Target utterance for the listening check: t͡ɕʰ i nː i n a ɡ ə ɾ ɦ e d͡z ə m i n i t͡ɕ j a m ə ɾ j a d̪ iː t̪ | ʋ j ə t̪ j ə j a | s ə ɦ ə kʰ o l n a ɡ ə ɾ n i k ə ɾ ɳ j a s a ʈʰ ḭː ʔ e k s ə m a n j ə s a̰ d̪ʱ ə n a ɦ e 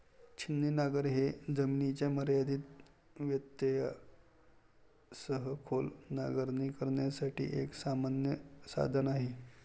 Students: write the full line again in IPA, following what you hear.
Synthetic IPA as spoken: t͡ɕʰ i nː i n a ɡ ə ɾ ɦ e d͡z ə m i n i t͡ɕ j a m ə ɾ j a d̪ iː t̪ | ʋ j ə t̪ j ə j a | s ə ɦ ə kʰ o l n a ɡ ə ɾ n i k ə ɾ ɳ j a s a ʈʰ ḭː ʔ e k s a m a n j ə s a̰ d̪ʱ ə n a ɦ e